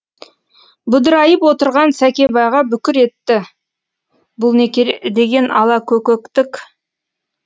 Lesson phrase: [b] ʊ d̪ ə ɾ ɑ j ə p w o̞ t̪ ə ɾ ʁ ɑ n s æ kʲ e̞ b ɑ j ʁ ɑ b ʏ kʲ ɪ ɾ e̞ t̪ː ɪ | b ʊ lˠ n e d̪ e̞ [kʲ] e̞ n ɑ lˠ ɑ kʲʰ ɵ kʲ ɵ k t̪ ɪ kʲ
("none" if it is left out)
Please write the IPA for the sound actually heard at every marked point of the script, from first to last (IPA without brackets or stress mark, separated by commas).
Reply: b, ɡʲ